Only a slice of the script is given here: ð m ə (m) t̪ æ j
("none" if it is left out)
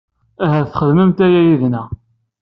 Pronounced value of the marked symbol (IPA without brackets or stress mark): m